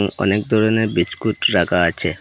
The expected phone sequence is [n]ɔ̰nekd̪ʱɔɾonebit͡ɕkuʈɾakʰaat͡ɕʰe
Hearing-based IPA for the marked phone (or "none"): ŋ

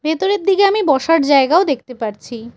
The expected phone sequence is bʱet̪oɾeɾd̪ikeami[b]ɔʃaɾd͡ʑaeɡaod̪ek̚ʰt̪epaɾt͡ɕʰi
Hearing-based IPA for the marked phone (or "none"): b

